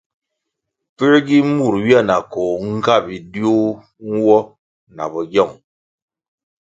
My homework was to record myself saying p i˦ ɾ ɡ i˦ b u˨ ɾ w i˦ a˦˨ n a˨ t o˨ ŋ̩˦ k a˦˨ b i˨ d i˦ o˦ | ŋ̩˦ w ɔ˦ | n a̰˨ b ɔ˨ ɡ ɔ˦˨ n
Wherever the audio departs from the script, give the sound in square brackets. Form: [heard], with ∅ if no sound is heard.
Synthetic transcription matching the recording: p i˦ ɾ ɡ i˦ [m] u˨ ɾ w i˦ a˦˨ n a˨ [k] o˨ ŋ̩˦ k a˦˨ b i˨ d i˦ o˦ | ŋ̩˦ w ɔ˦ | n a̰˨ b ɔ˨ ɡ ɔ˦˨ [ŋ]